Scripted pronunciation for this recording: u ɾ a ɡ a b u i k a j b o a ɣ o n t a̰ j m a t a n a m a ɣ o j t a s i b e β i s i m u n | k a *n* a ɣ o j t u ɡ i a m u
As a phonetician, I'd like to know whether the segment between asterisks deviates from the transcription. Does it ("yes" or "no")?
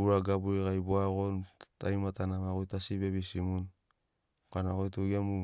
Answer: no